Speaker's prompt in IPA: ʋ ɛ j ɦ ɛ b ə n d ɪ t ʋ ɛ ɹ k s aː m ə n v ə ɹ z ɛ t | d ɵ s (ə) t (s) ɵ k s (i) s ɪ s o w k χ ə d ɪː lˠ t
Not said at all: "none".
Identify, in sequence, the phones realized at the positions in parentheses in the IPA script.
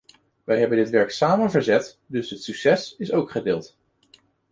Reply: ə, s, ɛ

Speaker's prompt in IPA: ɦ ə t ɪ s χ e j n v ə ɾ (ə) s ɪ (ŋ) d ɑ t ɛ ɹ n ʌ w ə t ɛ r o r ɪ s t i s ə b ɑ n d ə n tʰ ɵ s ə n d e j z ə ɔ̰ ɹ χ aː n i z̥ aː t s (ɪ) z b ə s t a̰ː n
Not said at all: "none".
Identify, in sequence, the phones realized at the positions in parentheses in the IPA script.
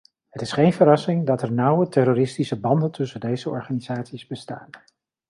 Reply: ɑ, ŋ, i

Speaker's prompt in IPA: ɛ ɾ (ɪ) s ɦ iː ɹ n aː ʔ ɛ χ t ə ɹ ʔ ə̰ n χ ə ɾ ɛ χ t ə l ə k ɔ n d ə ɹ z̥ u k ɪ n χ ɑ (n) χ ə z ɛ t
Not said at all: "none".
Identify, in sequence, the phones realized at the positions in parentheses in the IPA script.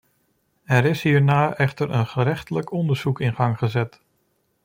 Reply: ɪ, ŋ

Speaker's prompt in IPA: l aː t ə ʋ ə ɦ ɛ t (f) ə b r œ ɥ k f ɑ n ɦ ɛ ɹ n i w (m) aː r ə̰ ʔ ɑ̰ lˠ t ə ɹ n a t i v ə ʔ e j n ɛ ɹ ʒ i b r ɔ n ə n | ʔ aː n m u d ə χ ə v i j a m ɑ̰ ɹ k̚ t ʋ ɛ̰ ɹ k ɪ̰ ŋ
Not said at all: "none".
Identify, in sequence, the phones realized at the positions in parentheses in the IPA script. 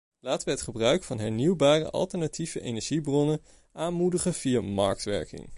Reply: χ, b

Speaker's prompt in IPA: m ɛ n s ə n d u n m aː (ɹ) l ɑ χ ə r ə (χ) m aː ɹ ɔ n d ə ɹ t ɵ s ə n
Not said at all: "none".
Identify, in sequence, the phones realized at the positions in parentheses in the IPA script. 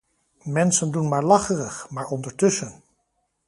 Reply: ɹ, χ

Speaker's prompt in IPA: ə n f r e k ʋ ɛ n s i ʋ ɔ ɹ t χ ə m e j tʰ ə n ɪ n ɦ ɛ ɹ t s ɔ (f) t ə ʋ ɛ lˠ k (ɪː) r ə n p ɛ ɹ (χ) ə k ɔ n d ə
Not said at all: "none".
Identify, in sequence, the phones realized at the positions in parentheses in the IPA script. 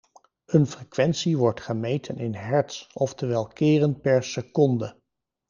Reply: f, ɪː, s

